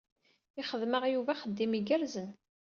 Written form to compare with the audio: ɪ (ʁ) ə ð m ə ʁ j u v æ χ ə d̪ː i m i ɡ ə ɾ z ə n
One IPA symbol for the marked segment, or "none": χ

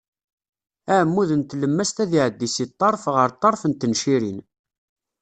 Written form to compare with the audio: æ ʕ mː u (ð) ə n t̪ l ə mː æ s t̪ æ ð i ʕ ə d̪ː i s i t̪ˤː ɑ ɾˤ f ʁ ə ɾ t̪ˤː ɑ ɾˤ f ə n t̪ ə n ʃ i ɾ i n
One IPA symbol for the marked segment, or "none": ð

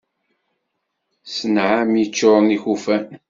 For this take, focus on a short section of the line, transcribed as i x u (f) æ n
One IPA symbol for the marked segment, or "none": f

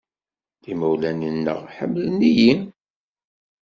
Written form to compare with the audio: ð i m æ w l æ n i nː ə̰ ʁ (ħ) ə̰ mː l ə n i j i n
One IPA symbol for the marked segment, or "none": ħ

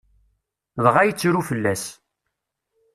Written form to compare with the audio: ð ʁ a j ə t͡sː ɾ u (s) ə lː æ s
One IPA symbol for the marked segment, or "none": f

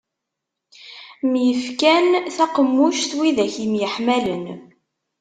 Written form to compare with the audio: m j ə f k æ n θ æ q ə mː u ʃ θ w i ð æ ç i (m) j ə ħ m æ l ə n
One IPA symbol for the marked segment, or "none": m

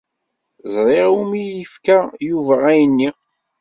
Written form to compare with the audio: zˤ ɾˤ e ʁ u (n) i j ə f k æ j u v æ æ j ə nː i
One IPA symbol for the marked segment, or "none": m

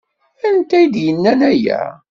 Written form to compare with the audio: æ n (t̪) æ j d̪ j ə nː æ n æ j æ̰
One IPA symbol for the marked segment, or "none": t̪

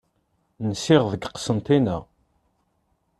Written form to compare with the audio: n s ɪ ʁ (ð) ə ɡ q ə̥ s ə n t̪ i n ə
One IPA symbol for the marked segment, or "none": ð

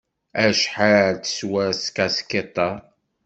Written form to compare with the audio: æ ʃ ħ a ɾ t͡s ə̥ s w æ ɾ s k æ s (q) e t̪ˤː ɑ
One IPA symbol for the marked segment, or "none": k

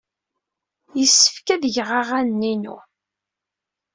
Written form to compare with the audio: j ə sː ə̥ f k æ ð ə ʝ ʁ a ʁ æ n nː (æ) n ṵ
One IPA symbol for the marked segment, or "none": i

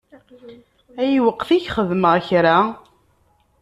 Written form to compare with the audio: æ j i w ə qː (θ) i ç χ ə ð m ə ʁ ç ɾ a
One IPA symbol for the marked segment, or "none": θ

